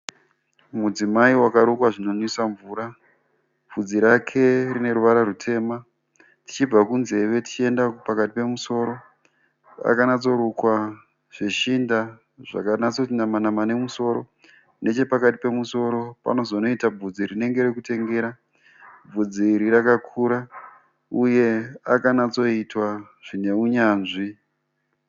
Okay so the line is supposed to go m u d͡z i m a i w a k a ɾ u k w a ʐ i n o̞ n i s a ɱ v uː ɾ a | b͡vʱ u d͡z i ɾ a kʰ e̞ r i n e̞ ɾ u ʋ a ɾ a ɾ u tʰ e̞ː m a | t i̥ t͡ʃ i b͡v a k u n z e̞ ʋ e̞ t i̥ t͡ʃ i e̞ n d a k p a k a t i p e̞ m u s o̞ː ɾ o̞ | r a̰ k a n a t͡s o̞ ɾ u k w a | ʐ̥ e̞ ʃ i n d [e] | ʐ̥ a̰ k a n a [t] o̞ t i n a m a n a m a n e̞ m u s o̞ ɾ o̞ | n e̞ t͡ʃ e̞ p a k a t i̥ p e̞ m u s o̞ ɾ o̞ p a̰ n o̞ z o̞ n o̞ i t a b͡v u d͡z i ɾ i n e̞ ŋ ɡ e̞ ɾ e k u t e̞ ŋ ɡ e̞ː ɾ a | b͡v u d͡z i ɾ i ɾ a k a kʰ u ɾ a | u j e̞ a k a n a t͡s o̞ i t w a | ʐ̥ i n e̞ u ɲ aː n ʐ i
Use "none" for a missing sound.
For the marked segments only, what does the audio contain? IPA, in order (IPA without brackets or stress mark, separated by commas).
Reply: a, t͡s